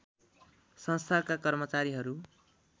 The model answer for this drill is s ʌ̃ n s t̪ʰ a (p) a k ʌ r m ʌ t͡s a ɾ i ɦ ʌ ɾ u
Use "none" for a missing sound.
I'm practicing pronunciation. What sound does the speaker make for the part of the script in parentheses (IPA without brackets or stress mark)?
k